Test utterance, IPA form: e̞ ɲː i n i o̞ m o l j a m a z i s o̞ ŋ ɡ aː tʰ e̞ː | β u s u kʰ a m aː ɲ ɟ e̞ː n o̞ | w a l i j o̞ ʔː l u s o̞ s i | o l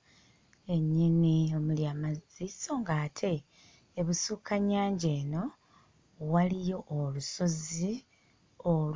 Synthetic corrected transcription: e̞ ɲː i n i o̞ m u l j a m a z i s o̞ ŋ ɡ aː tʰ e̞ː | β u s u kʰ a ɲ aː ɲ ɟ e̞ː n o̞ | w a l i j o̞ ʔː l u s o̞ z i | o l